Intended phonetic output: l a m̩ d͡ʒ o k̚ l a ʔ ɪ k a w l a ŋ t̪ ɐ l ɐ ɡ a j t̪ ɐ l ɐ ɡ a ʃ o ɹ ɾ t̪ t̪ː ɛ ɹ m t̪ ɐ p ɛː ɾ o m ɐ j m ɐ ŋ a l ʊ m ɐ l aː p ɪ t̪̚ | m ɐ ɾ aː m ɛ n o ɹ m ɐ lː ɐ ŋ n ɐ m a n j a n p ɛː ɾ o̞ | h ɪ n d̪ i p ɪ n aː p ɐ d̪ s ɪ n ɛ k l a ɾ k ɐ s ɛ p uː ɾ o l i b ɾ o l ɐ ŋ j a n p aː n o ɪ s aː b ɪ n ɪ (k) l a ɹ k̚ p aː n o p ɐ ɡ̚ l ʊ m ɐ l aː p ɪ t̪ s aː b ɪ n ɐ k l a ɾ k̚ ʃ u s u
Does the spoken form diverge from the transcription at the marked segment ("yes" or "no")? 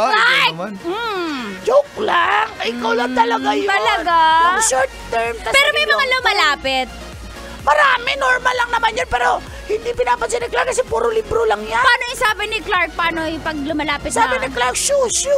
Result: no